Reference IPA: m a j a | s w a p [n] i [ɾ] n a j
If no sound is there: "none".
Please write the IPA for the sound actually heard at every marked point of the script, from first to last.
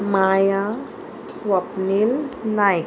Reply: n, l

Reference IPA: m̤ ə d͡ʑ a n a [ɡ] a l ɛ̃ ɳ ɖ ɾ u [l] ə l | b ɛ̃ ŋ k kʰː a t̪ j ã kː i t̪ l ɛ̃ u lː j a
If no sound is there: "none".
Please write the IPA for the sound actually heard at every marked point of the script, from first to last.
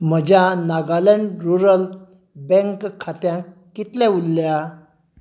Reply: ɡ, ɾ

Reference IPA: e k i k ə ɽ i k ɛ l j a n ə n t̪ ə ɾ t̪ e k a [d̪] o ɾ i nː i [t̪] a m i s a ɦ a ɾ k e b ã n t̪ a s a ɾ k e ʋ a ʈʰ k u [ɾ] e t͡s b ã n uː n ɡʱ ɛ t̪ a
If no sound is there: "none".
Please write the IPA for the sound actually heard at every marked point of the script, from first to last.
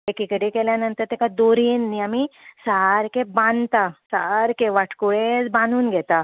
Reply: d̪, none, ɭ

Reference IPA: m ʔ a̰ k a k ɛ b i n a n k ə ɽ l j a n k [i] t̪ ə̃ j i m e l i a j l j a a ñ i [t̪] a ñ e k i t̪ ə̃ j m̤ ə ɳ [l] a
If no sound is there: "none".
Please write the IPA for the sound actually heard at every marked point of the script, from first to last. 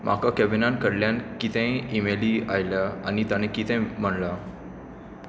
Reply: i, t̪, l

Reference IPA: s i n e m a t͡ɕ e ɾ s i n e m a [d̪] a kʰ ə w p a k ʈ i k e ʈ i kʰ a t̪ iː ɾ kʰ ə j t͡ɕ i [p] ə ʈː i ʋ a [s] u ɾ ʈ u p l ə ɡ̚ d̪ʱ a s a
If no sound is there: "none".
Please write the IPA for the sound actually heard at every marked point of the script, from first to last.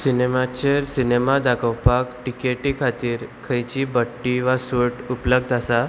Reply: d̪, b, s

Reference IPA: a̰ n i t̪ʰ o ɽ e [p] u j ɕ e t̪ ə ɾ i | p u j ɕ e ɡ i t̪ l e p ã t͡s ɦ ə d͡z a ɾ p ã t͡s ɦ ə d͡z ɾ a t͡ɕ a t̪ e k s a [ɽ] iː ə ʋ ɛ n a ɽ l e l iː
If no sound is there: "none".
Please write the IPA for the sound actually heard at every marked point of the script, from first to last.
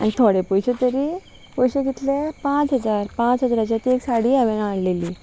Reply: p, ɽ

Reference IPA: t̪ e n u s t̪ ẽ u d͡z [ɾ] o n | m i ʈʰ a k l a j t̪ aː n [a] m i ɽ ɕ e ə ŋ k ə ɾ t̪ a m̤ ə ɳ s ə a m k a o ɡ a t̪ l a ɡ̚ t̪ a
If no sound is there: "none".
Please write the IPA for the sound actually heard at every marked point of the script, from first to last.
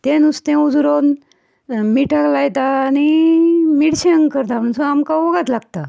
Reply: ɾ, i

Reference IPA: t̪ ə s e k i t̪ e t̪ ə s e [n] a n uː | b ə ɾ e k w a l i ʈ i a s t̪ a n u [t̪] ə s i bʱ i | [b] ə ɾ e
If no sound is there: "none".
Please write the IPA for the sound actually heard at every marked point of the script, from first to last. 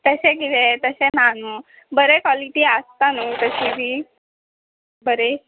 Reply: n, t̪, b

